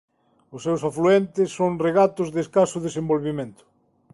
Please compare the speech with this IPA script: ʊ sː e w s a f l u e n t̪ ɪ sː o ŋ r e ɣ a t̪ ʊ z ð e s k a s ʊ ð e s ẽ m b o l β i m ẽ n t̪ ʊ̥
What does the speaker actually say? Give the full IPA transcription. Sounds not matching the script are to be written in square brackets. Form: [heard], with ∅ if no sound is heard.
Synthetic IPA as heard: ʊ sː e w s a f l u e n t̪ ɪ sː o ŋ r e ɣ a t̪ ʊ z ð e s k a s ʊ ð e s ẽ m b o l β i m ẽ n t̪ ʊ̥